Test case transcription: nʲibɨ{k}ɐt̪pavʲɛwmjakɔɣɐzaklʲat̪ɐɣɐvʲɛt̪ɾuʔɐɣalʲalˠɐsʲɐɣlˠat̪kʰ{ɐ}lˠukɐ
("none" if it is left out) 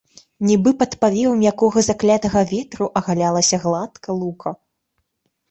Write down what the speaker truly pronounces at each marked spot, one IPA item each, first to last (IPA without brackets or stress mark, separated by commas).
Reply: p, ɐ